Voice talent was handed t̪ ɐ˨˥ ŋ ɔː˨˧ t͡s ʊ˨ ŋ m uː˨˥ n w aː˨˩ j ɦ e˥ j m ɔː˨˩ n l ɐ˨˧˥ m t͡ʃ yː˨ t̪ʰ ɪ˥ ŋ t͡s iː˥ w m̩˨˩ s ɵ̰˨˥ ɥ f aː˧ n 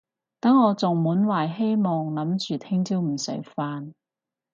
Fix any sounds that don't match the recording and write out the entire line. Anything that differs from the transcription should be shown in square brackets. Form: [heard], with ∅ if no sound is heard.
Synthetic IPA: t̪ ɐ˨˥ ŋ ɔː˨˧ t͡s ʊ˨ ŋ m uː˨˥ n w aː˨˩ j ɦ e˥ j m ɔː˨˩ [ŋ] l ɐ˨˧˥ m t͡ʃ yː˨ t̪ʰ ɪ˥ ŋ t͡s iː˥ w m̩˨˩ s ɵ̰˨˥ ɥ f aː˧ n